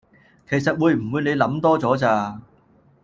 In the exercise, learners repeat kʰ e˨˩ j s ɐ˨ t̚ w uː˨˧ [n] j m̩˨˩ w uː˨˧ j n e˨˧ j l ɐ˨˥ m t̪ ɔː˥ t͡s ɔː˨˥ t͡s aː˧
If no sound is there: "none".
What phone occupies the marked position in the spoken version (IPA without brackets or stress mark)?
none